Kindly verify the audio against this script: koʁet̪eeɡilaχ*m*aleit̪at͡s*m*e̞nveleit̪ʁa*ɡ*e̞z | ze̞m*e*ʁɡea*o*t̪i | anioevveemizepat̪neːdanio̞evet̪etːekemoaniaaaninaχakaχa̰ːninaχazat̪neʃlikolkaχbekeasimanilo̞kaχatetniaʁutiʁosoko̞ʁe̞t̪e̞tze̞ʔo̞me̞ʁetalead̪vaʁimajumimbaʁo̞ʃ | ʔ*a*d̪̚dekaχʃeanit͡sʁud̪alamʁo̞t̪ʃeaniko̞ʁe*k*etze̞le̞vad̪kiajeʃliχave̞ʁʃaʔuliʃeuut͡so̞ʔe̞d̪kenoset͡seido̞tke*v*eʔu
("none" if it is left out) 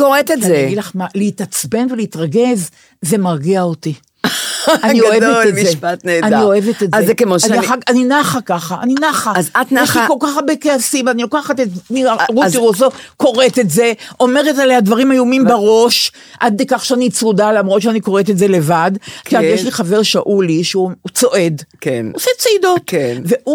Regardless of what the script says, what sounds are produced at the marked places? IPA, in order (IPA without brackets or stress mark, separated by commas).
m, b, ɡ, a, o, a, t, v